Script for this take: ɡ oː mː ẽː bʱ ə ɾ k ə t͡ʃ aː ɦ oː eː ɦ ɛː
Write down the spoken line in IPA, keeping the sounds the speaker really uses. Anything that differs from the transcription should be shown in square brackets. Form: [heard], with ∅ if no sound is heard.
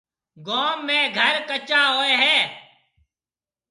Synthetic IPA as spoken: ɡ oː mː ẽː [ɡʱ] ə ɾ k ə t͡ʃ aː ɦ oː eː ɦ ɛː